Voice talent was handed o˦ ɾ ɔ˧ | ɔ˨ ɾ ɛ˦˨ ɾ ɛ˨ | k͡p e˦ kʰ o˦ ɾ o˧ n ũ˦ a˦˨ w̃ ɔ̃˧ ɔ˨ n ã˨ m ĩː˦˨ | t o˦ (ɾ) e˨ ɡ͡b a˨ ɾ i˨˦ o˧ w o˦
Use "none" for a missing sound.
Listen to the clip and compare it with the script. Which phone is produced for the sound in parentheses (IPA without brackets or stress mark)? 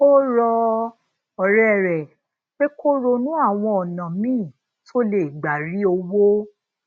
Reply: l